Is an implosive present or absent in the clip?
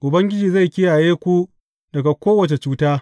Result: absent